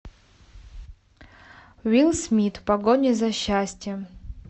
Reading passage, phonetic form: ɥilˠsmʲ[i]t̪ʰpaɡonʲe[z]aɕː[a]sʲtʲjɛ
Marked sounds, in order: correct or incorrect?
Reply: correct, correct, correct

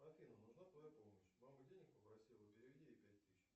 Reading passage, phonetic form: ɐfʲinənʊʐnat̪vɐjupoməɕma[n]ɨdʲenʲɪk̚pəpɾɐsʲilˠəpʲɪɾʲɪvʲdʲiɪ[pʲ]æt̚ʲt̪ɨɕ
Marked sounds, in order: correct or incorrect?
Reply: incorrect: m, correct

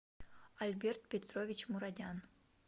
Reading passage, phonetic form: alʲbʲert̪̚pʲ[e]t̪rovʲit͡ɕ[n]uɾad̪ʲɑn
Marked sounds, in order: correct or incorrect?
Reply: correct, incorrect: m

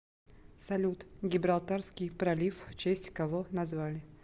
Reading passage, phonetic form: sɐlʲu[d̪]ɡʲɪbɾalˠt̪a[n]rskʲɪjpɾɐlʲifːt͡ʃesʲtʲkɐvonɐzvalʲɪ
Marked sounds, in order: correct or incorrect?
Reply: incorrect: t̪, incorrect: none

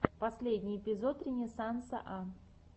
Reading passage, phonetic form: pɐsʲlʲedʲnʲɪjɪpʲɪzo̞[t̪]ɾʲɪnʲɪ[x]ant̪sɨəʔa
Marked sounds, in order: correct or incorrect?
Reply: correct, incorrect: s

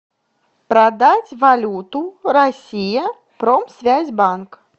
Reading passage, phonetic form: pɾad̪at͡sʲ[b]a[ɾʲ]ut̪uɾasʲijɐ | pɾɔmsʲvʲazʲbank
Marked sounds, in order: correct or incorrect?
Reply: incorrect: v, incorrect: lʲ

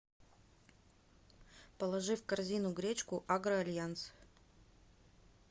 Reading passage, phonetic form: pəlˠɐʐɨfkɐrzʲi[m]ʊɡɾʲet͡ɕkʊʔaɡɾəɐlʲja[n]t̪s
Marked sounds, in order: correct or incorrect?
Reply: incorrect: n, correct

